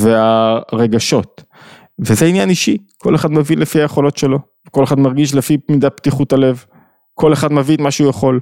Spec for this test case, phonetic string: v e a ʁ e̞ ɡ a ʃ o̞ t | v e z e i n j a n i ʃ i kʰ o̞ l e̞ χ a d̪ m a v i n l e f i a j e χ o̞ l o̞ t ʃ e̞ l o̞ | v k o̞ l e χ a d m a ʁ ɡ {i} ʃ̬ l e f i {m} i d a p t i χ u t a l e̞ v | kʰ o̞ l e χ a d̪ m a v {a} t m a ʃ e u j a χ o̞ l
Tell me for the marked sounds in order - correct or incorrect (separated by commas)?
correct, correct, incorrect